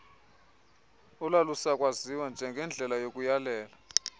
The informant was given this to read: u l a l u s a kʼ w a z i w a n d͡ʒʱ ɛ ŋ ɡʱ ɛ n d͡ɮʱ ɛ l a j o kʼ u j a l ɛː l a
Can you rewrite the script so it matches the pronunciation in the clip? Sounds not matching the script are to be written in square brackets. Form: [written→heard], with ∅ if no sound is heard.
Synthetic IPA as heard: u l a l u s a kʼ w a z i w a n d͡ʒʱ ɛ ŋ ɡʱ ɛ n d͡ɮʱ ɛ l a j o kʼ u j a l ɛː l a